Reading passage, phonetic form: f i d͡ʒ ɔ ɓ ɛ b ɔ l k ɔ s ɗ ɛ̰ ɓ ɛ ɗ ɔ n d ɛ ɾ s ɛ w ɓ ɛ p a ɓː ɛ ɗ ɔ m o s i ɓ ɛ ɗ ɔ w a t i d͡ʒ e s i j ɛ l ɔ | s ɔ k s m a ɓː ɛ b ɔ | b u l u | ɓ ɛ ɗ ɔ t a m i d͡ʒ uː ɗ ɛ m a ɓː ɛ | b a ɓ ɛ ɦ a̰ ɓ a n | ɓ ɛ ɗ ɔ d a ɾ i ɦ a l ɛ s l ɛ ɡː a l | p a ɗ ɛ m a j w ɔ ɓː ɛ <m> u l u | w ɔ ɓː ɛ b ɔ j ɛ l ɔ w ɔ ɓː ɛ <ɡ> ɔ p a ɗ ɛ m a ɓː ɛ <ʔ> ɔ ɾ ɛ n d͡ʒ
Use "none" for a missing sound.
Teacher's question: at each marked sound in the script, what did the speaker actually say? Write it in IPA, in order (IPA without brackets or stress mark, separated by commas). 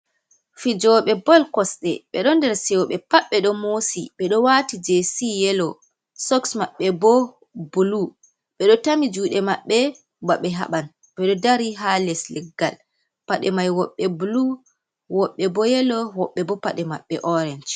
b, b, ʔ